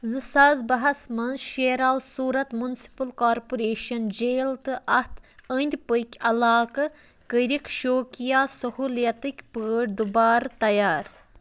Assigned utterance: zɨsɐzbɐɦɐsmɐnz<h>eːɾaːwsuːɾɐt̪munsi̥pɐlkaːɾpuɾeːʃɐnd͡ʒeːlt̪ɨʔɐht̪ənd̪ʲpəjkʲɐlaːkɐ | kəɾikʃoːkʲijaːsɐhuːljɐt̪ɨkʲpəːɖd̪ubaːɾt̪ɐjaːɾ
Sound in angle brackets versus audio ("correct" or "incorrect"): incorrect